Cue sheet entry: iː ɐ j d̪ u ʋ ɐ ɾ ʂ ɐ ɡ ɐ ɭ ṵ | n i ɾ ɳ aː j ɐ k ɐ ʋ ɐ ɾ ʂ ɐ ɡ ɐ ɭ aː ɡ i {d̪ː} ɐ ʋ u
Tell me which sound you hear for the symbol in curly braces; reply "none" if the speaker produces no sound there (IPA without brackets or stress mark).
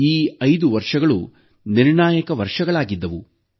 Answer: d̪ː